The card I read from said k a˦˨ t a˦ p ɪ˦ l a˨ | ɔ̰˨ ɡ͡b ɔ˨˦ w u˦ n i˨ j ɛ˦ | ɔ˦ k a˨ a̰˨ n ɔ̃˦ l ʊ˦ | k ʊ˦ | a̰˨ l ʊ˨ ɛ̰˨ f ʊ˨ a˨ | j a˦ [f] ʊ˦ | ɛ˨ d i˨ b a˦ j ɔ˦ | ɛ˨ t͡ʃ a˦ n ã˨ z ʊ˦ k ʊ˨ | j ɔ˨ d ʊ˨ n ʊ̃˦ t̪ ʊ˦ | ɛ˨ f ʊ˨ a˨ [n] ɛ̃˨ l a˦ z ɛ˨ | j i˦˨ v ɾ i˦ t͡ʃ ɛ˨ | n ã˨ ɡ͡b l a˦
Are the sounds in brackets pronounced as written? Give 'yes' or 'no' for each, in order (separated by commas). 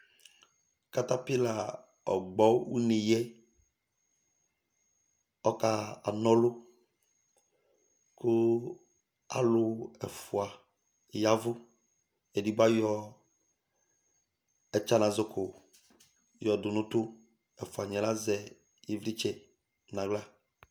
no, no